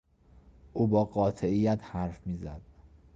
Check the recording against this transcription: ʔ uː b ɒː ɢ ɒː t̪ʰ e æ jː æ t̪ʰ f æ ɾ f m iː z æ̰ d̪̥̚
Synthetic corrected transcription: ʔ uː b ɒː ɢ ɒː t̪ʰ e i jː æ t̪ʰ h æ ɾ f m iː z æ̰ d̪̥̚